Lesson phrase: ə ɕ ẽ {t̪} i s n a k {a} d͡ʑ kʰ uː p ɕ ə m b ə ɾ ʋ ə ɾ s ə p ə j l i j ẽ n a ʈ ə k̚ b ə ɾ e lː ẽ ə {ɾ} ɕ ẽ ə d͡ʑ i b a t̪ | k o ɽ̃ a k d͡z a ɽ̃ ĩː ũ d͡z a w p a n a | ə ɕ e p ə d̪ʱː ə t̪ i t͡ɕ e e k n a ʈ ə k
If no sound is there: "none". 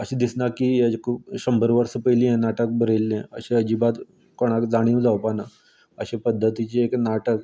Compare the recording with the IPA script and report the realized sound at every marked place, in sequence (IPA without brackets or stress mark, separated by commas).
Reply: d̪, i, none